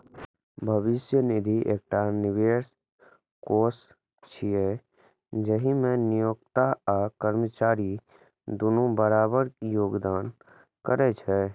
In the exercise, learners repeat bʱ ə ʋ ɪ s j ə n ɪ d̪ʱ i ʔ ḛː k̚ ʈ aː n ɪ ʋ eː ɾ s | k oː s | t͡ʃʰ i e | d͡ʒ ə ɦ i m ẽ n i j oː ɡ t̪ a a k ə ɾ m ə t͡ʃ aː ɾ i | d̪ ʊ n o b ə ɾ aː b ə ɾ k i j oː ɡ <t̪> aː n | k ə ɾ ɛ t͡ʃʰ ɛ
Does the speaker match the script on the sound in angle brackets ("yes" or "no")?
no